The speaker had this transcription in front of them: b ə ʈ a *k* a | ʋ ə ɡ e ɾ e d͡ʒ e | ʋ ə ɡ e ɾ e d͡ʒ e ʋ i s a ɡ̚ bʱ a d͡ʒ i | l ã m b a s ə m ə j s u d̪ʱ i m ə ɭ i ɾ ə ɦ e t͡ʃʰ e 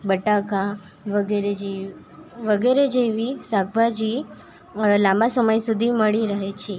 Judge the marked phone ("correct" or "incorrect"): correct